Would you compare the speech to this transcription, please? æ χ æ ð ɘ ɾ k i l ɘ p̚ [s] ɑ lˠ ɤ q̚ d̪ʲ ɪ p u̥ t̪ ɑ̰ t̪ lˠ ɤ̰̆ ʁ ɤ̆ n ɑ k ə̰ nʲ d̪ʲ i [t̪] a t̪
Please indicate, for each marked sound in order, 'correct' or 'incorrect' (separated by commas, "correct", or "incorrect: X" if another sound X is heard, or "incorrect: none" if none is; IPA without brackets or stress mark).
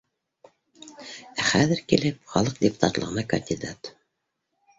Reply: incorrect: χ, incorrect: d̪